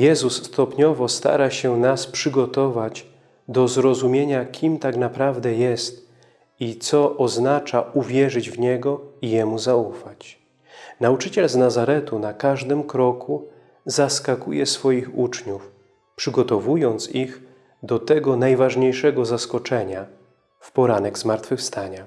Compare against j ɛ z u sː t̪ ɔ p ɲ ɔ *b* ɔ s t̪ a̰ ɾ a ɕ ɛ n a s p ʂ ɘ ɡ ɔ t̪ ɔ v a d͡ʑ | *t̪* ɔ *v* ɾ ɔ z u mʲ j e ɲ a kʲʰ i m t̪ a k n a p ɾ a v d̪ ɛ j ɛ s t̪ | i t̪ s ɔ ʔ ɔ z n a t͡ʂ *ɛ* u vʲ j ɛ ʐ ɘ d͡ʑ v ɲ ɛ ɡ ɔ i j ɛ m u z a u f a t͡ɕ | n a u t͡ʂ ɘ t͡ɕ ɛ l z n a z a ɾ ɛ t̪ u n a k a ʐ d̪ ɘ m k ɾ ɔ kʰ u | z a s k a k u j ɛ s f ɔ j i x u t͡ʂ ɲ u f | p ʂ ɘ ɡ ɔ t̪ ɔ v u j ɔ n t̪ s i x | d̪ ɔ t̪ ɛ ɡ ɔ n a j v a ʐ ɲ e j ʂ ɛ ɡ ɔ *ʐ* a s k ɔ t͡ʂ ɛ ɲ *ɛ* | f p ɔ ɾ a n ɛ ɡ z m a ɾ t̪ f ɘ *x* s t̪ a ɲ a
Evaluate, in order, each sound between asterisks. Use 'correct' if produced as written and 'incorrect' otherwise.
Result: incorrect, incorrect, incorrect, incorrect, incorrect, incorrect, incorrect

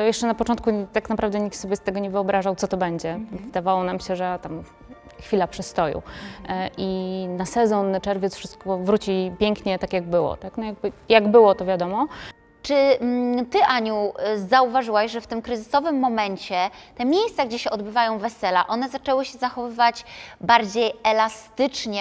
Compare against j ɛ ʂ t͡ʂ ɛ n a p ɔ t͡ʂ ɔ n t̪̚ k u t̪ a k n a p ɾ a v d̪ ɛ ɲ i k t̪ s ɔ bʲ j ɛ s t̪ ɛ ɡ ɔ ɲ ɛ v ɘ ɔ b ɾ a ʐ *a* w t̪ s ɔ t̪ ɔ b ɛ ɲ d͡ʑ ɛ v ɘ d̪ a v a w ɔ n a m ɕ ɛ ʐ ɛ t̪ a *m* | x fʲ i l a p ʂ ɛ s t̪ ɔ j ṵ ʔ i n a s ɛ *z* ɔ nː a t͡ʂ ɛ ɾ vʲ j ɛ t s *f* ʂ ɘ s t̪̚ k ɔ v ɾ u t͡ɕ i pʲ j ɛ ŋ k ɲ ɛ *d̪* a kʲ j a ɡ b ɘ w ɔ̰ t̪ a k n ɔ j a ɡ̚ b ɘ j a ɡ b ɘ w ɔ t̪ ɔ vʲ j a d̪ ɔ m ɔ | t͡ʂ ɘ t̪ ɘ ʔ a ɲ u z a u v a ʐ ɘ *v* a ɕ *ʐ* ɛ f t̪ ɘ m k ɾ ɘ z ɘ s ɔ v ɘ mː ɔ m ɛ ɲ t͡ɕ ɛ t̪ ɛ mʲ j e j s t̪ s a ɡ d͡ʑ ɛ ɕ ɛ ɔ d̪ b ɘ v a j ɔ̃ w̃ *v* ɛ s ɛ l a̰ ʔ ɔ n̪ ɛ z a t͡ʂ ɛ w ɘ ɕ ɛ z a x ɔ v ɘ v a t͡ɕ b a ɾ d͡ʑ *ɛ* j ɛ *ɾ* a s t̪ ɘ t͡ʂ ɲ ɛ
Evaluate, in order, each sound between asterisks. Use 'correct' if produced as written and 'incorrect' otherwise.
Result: correct, correct, correct, correct, incorrect, incorrect, correct, correct, incorrect, incorrect

